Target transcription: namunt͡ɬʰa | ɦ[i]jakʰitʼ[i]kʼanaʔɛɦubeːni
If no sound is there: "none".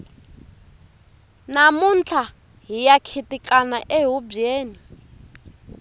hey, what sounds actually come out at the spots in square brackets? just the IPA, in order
i, i

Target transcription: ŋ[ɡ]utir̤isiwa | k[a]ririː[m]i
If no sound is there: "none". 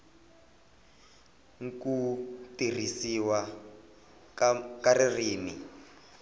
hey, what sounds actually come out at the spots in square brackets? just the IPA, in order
k, a, n

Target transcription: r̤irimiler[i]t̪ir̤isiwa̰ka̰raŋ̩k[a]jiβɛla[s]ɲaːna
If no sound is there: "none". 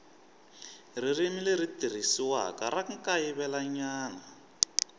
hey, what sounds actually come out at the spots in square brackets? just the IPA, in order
i, a, none

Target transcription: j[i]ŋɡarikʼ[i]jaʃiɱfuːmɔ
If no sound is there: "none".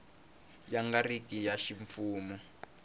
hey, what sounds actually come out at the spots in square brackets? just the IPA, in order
a, i

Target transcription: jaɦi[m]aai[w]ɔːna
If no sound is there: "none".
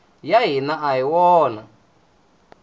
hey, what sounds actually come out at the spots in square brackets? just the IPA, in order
n, w

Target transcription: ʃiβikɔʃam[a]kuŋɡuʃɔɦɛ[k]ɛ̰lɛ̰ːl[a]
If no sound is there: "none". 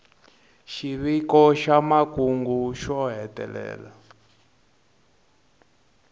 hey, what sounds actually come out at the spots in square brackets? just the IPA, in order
a, t, a

